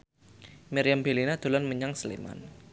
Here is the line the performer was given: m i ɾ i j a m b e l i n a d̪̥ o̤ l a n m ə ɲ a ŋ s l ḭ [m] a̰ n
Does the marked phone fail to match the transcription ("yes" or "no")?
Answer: no